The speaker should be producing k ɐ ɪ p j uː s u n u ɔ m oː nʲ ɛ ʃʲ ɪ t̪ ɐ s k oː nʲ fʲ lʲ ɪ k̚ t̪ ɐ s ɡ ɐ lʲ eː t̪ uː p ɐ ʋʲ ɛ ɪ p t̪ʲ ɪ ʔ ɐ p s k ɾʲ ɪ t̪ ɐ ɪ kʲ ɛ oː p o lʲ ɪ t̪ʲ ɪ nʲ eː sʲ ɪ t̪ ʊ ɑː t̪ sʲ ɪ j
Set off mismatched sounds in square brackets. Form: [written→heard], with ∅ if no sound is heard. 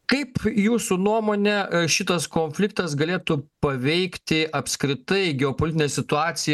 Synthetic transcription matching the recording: k ɐ ɪ p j uː s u n u ɔ m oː nʲ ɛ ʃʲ ɪ t̪ ɐ s k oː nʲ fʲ lʲ ɪ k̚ t̪ ɐ s ɡ ɐ lʲ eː t̪ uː p ɐ ʋʲ ɛ ɪ [p→k] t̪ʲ ɪ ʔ ɐ p s k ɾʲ ɪ t̪ ɐ ɪ [kʲ→ɡʲ] ɛ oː p o lʲ ɪ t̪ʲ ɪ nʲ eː sʲ ɪ t̪ ʊ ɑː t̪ sʲ ɪ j